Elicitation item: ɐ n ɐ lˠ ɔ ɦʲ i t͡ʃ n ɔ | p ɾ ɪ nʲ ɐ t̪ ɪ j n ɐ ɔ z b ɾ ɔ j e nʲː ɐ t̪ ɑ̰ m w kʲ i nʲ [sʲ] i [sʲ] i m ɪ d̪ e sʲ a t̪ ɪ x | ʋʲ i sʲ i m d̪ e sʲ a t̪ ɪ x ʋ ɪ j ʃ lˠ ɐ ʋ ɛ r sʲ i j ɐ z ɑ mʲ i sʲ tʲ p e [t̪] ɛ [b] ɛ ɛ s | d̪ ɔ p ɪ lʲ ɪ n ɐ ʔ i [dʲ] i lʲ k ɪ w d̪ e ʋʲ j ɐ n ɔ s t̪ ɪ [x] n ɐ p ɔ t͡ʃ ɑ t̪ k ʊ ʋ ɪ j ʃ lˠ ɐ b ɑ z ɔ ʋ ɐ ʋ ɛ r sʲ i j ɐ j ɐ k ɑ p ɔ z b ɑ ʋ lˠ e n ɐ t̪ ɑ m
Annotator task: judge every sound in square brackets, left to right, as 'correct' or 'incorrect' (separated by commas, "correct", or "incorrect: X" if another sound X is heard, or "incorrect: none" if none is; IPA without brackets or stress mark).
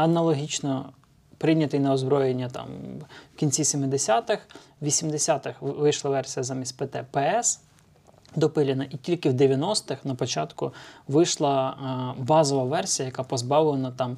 incorrect: t͡sʲ, correct, correct, incorrect: p, incorrect: tʲ, correct